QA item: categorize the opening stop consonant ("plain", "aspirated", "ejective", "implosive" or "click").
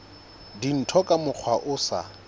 plain